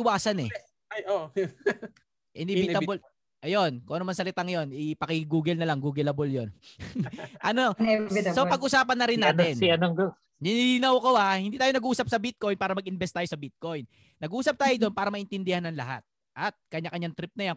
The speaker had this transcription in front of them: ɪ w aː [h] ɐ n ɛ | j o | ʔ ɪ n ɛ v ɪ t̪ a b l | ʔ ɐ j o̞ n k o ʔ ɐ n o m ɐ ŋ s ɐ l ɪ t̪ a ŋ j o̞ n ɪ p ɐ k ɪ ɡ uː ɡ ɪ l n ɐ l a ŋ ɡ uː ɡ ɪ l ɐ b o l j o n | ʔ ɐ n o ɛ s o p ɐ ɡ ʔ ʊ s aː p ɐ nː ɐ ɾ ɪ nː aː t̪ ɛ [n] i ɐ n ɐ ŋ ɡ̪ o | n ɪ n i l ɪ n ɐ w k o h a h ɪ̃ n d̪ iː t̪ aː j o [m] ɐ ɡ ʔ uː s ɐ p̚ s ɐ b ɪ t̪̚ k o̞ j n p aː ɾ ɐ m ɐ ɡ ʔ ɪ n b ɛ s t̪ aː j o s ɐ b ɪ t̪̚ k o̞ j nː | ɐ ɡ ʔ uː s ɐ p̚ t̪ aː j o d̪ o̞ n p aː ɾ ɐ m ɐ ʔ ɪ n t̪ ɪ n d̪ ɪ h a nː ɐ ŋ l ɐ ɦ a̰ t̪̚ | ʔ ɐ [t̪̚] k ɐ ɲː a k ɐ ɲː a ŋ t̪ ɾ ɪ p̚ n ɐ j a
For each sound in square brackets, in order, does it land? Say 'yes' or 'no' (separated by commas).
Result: no, yes, no, yes